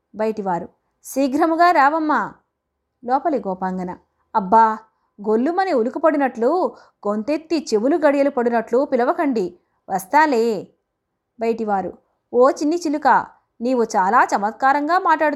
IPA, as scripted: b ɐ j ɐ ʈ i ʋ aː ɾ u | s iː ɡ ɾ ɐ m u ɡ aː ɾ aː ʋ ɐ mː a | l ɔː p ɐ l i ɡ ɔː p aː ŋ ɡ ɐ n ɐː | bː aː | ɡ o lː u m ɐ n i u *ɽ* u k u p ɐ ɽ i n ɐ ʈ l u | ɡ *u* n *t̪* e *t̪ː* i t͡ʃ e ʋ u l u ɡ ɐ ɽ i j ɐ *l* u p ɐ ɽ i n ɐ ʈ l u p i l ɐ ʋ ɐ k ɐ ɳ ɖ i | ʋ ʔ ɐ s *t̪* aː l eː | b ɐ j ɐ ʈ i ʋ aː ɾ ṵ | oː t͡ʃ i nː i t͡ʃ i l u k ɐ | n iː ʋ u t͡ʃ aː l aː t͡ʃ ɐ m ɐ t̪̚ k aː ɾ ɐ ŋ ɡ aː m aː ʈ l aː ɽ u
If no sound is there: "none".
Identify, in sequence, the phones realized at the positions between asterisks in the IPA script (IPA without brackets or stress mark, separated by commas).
l, o, t̪, t̪ː, l, t̪